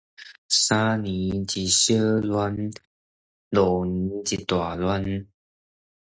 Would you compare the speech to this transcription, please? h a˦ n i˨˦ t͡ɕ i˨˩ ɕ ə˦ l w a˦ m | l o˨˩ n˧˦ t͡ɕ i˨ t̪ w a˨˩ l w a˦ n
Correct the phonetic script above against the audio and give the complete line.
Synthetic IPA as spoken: s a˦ n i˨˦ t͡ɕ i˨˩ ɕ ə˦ l w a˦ n | l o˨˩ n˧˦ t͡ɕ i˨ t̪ w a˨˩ l w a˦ n